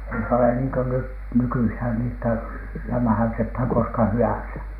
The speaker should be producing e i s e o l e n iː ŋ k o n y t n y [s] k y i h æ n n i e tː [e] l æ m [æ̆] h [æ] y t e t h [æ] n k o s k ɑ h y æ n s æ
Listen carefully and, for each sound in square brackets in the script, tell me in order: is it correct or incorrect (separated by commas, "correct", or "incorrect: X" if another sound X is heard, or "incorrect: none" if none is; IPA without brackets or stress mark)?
incorrect: none, incorrect: æ, correct, correct, correct